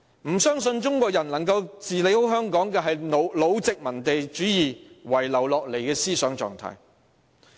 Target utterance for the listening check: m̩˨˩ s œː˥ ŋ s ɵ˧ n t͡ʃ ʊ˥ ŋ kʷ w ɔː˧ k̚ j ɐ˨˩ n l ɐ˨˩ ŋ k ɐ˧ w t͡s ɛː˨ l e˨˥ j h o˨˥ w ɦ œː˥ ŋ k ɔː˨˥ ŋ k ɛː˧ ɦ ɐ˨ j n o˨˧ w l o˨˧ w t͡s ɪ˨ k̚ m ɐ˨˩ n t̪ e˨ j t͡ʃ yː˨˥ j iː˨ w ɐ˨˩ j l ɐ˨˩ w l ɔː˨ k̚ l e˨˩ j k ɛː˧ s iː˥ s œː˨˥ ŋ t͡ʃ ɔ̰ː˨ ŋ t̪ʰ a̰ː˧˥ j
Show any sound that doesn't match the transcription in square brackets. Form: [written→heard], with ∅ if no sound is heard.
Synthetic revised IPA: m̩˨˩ s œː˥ ŋ s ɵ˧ n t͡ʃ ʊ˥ ŋ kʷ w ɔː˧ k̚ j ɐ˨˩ n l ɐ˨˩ ŋ k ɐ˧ w t͡s [ɛː˨→iː˨] l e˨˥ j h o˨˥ w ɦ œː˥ ŋ k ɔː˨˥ ŋ k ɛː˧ ɦ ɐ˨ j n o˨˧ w l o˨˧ w t͡s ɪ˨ k̚ m ɐ˨˩ n t̪ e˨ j t͡ʃ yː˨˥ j iː˨ w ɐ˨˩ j l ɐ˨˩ w l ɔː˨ k̚ l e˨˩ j k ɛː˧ s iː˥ s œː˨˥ ŋ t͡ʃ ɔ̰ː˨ ŋ t̪ʰ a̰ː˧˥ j